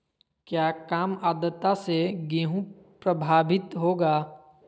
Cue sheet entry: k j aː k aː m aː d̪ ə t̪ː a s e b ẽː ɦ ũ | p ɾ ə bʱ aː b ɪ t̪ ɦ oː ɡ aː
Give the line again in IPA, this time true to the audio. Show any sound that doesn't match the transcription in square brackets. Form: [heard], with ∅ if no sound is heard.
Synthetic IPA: k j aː k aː m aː d̪ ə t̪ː a s e [ɡ] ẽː ɦ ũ | p ɾ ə bʱ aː b ɪ t̪ ɦ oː ɡ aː